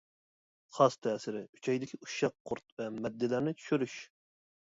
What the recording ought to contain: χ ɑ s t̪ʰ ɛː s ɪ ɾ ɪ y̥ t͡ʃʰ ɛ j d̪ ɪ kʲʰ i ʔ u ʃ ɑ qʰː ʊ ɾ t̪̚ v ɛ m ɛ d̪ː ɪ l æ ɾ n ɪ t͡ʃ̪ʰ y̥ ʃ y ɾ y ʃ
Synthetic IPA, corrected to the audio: χ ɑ s t̪ʰ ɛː s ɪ ɾ ɪ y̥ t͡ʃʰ ɛ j d̪ ɪ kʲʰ i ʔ u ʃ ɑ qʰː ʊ ɾ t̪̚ v ɛ m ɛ d̪ː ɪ l æ ɾ n ɪ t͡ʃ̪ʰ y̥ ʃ y ɾ y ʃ